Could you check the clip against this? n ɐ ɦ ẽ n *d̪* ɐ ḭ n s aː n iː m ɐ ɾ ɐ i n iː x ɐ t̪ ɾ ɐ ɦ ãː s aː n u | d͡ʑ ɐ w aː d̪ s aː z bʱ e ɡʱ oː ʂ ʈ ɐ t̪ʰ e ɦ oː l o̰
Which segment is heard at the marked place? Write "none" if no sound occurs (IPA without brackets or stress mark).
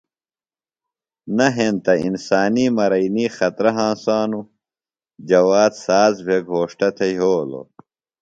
t̪